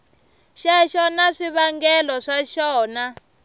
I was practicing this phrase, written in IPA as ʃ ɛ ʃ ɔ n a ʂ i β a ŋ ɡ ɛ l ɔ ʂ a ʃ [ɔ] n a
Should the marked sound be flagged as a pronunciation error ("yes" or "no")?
yes